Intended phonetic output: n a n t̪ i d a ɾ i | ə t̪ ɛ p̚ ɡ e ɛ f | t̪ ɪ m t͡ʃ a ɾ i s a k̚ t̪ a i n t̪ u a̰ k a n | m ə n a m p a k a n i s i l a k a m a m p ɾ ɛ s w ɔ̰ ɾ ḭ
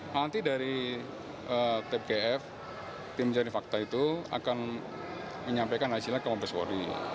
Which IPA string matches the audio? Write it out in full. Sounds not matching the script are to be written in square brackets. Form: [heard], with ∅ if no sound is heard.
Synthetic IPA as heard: n a n t̪ i d a ɾ i | ə t̪ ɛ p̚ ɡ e ɛ f | t̪ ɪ m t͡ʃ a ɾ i [f] a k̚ t̪ a i [∅] t̪ u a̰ k a n | m ə [ɲ] a m p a k a n [a] s i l a k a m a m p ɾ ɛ s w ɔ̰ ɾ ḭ